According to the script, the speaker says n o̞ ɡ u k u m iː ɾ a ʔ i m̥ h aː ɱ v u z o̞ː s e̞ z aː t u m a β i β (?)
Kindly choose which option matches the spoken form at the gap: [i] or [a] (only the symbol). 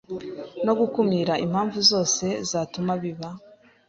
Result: a